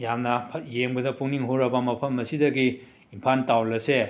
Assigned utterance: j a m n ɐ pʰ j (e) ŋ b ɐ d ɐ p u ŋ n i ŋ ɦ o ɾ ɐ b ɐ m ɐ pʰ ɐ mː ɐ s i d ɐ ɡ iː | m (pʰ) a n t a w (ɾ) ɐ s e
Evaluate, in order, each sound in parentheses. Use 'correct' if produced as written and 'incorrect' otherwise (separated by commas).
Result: correct, correct, incorrect